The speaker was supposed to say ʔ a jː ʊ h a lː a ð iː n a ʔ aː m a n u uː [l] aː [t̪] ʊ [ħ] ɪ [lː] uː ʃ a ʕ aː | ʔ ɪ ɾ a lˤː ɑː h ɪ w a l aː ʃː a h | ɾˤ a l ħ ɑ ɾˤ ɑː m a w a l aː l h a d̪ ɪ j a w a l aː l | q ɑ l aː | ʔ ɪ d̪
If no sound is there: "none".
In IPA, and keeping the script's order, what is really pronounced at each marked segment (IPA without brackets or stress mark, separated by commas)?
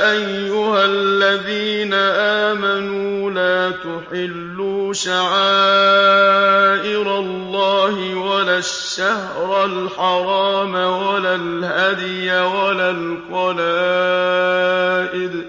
l, t̪, ħ, lː